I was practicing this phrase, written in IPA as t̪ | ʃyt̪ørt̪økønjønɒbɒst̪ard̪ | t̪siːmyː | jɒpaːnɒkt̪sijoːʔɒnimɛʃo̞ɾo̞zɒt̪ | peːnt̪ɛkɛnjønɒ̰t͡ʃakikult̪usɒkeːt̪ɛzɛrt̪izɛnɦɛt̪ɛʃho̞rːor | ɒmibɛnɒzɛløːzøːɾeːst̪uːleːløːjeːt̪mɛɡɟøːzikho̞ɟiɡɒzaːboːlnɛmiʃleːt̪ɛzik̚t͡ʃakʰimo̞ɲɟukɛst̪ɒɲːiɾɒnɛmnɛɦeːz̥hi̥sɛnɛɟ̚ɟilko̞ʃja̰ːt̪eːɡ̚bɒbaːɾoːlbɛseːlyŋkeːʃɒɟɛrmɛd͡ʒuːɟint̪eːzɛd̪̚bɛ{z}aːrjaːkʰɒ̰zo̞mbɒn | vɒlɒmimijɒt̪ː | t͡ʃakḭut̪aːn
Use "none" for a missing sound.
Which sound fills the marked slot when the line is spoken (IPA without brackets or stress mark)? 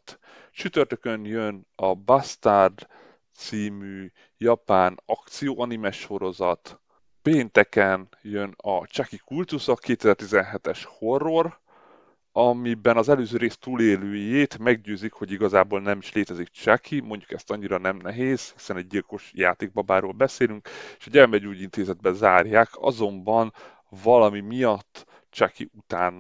z